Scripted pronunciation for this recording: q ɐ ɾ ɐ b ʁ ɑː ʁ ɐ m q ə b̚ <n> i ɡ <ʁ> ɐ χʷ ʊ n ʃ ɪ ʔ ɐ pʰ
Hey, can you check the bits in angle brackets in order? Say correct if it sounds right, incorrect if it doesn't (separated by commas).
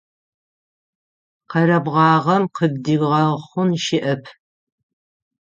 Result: incorrect, correct